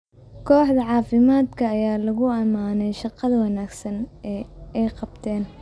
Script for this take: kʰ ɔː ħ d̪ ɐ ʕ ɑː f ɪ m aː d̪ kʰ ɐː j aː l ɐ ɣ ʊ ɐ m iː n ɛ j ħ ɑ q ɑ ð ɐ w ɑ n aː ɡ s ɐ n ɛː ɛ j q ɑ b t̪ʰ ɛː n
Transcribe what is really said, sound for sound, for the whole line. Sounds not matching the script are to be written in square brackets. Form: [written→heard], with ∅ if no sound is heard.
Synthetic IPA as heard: kʰ ɔː ħ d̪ ɐ ʕ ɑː f ɪ m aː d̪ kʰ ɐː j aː l ɐ ɣ ʊ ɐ m [iː→aː] n ɛ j [ħ→ʃ] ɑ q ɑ ð ɐ w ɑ n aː ɡ s ɐ n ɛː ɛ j q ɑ b t̪ʰ ɛː n